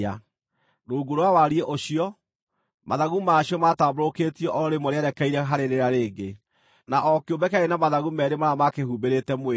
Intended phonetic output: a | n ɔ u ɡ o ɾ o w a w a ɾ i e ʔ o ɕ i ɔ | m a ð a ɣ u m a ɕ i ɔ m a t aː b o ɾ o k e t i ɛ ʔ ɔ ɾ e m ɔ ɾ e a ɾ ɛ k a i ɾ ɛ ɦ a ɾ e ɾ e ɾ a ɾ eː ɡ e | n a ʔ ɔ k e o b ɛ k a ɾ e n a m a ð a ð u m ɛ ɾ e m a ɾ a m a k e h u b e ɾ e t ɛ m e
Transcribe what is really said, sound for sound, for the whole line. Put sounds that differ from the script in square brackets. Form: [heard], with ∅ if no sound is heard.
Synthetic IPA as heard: a | n [o] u ɡ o ɾ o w a w a ɾ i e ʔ o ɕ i ɔ | m a ð a ɣ u m a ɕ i ɔ m a t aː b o ɾ o k e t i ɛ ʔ ɔ ɾ e m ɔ ɾ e a ɾ ɛ k a i ɾ ɛ ɦ a ɾ e ɾ e ɾ a ɾ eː ɡ e | n a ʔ ɔ k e o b ɛ k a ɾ e n a m a ð a [ɣ] u m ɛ ɾ e m a ɾ a m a k e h u b e ɾ e t ɛ m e